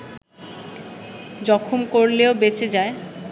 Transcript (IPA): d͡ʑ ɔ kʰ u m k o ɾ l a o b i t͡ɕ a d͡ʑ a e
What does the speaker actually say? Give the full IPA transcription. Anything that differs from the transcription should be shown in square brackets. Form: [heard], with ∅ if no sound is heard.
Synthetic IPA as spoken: d͡ʑ ɔ kʰ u m k o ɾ l [e] o b [e] t͡ɕ [e] d͡ʑ a e